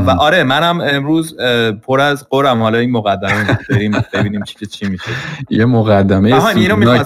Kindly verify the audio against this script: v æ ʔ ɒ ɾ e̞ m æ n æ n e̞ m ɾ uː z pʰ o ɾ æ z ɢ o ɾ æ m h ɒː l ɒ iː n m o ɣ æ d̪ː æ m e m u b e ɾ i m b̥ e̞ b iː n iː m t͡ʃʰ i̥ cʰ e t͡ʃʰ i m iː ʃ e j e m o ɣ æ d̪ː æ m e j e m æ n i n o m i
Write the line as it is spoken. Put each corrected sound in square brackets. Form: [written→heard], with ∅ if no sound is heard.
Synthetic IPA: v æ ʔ ɒ ɾ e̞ m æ n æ [n→m] e̞ m ɾ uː z pʰ o ɾ æ z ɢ o ɾ æ m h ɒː l ɒ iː n m o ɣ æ d̪ː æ m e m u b e ɾ i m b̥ e̞ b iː n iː m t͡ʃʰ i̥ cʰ e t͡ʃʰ i m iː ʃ e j e m o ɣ æ d̪ː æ m e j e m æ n i n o m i